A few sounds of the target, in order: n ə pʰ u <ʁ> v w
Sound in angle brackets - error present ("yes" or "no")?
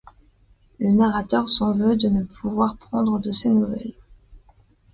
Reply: yes